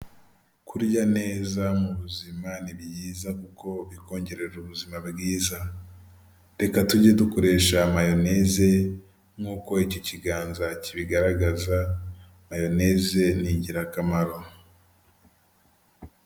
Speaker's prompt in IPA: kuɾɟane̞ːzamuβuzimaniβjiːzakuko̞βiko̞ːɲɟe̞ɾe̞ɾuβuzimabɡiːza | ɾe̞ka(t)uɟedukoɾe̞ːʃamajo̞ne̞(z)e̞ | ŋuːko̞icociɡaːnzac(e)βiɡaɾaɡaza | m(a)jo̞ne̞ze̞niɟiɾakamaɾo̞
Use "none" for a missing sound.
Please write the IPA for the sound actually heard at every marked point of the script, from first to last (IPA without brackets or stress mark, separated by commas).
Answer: t, z, i, a